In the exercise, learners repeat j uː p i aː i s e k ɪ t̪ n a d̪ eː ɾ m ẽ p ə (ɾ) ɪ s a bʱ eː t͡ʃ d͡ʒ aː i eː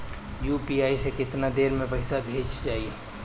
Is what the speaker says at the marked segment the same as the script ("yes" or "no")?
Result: no